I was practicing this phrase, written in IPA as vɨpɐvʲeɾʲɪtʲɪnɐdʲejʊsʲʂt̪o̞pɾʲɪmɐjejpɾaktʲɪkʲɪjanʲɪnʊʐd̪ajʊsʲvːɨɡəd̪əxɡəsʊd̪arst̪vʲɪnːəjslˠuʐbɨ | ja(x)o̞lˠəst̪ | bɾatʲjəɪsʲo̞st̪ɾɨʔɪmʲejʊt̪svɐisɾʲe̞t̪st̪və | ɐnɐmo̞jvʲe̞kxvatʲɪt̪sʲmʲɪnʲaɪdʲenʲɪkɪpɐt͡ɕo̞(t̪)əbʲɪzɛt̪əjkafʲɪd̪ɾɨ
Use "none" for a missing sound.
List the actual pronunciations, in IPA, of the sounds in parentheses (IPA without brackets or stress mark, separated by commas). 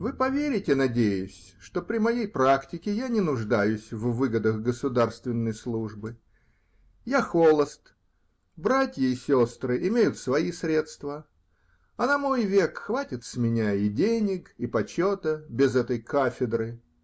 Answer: x, t̪